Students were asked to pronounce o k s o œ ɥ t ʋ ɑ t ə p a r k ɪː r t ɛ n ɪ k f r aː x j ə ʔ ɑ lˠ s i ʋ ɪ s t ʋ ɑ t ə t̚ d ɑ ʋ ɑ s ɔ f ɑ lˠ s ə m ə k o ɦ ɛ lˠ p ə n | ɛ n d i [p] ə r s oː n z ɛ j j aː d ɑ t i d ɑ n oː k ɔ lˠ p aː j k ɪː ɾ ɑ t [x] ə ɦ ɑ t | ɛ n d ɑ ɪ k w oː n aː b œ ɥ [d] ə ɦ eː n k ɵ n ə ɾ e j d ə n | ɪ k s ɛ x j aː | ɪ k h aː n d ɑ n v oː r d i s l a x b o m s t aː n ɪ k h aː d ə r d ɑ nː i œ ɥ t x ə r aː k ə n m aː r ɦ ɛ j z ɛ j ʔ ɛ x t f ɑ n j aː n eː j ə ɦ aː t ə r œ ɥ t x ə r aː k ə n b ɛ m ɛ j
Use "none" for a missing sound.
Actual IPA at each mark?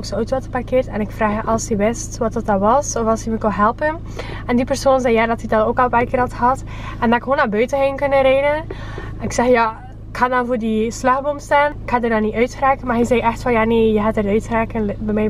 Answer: p, x, t

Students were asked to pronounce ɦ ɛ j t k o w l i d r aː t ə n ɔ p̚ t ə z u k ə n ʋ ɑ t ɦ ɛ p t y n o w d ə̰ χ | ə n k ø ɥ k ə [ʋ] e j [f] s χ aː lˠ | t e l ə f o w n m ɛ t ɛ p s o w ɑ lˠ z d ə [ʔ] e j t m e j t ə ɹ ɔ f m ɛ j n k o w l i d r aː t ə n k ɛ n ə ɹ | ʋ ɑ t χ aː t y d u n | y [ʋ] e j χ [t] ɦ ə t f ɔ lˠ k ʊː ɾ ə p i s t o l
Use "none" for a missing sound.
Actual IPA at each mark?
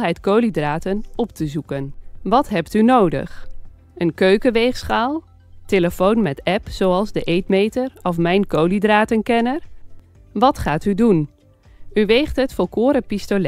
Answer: ʋ, χ, ʔ, ʋ, t

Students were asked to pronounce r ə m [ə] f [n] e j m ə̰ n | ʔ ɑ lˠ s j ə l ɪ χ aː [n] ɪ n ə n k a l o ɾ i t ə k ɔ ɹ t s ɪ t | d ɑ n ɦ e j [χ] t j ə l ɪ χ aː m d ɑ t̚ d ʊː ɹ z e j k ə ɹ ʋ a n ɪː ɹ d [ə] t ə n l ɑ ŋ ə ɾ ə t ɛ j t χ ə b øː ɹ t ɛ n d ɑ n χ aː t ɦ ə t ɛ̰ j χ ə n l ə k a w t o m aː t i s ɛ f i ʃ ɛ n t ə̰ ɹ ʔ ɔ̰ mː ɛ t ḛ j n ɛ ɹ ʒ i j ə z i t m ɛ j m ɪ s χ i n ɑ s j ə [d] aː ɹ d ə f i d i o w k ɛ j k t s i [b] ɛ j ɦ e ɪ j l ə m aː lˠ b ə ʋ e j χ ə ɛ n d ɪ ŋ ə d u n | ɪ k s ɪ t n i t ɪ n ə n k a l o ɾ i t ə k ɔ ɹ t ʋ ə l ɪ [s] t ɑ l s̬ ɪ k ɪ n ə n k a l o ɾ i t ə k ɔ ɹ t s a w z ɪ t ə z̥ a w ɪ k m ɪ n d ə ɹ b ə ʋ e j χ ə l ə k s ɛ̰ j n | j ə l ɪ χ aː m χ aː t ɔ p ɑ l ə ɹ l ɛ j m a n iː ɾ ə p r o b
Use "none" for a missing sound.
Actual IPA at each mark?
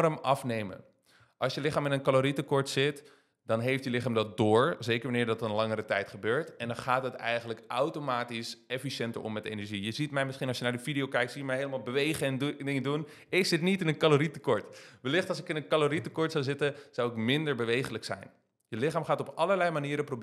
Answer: ɑ, n, m, f, ɑ, n, m, χ

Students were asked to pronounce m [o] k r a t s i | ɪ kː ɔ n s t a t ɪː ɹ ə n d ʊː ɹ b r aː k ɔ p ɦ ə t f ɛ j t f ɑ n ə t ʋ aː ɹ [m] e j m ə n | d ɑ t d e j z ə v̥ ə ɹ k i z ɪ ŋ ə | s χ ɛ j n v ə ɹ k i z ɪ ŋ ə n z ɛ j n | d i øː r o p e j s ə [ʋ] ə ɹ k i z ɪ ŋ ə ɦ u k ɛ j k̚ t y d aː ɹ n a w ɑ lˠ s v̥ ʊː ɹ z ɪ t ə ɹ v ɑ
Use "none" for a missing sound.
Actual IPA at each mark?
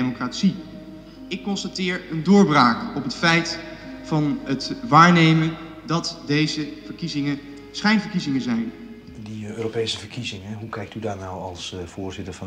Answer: o, n, v

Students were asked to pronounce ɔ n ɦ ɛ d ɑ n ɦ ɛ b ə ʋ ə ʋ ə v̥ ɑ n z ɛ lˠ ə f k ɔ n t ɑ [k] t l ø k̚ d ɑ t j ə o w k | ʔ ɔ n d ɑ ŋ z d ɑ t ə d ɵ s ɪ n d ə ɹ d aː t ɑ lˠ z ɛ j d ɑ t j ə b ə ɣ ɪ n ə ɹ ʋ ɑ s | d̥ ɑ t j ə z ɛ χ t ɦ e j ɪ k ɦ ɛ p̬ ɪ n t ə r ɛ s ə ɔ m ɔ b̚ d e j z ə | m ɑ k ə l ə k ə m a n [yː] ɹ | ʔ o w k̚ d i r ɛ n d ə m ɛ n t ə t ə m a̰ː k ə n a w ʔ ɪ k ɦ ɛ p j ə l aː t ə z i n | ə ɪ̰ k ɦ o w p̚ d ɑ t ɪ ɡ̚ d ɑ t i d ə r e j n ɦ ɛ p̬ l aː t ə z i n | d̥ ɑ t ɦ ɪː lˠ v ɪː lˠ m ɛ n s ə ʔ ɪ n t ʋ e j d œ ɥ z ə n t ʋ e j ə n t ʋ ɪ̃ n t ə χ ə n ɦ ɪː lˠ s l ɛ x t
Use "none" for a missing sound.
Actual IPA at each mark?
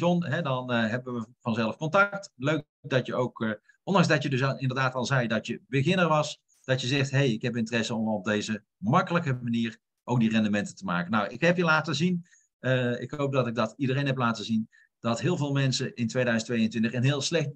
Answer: k, iː

